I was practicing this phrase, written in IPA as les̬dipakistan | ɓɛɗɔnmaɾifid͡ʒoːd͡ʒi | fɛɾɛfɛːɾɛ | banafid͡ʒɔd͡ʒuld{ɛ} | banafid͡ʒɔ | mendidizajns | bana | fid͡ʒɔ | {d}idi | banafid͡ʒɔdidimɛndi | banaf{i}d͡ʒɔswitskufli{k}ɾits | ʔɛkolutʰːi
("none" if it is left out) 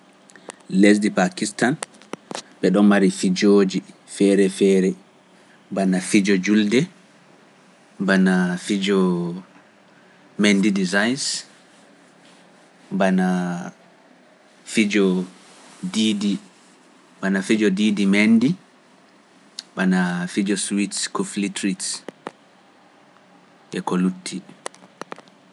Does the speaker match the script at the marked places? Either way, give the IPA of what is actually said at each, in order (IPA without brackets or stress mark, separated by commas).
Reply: ɛ, d, i, t